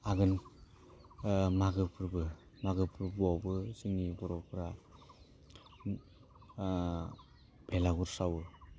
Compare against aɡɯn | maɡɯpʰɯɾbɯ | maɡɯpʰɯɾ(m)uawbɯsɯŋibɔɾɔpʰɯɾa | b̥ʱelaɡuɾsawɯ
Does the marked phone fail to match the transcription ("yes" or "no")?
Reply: yes